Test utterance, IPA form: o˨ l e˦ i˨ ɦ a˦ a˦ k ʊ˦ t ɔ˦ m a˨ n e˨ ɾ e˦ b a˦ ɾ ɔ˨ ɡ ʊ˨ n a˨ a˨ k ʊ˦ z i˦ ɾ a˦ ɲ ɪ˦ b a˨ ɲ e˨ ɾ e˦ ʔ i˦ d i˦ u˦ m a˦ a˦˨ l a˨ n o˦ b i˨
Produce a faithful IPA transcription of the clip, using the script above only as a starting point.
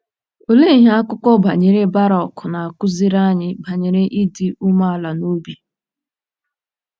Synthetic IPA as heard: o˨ l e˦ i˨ ɦ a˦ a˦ k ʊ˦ k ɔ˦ b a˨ ɲ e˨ ɾ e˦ b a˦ ɾ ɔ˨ k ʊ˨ n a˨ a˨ k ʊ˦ z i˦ ɾ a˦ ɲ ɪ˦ b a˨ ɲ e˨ ɾ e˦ ʔ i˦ d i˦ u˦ m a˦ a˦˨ l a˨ n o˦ b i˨